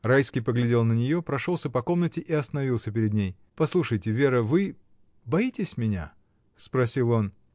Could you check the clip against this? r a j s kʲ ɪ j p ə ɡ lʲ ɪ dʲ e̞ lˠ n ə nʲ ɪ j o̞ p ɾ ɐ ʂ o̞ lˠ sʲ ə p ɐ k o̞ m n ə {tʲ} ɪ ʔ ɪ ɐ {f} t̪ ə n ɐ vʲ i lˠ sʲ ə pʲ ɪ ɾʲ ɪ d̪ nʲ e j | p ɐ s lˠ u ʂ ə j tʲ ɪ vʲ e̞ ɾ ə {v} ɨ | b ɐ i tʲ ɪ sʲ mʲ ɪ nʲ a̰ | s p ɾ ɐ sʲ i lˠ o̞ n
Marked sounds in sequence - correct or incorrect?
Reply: correct, incorrect: s, correct

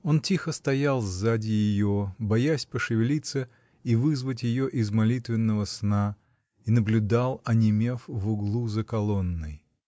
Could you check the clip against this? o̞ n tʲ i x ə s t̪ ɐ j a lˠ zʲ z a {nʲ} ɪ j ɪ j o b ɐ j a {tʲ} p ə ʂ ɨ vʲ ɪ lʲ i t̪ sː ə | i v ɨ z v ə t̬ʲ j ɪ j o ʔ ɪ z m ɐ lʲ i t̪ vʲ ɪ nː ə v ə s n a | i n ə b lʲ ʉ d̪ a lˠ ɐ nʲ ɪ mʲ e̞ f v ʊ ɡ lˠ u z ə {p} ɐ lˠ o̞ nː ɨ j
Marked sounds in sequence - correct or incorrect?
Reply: incorrect: dʲ, incorrect: sʲ, incorrect: k

